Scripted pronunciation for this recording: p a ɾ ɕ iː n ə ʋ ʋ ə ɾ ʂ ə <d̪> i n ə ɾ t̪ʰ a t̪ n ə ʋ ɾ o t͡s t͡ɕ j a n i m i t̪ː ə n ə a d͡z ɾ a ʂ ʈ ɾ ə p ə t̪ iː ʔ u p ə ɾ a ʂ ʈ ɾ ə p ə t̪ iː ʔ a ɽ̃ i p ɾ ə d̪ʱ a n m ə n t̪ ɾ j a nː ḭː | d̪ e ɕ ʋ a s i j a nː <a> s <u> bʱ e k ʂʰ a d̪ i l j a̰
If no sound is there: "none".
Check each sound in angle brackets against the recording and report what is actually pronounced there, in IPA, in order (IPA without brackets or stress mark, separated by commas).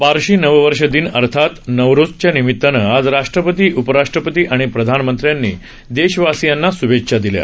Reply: d̪, a, u